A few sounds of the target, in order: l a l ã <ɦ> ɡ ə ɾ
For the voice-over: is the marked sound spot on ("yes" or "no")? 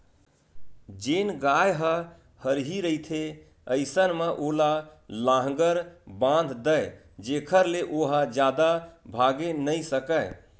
yes